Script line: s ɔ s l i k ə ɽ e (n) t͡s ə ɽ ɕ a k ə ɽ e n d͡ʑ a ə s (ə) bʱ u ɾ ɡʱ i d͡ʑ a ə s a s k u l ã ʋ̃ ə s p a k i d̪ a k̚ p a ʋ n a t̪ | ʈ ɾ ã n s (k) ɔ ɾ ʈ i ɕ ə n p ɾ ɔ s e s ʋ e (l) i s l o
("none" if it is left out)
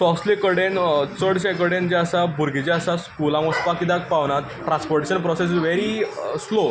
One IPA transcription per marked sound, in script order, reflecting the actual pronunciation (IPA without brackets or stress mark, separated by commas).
n, a, p, ɾ